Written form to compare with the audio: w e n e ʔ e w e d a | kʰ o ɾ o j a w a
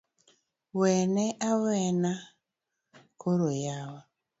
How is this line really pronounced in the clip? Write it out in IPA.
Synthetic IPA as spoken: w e n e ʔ a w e n a | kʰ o ɾ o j a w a